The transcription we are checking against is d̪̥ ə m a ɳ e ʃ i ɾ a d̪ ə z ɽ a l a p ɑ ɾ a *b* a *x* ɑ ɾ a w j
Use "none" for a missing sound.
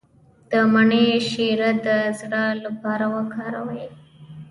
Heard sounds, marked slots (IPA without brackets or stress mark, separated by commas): w, k